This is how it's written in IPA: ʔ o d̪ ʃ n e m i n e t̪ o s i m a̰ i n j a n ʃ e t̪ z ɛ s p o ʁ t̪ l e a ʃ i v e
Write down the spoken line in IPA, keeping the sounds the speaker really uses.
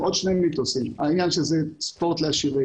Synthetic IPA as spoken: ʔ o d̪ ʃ n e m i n i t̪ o s i m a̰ i n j a n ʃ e z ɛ s p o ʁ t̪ l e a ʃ i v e